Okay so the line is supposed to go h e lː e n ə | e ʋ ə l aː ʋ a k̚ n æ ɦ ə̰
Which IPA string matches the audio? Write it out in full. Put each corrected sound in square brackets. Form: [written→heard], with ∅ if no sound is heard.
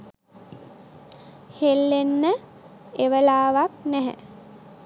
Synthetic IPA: h e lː e [n→nː] ə | e ʋ ə l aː ʋ a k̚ n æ ɦ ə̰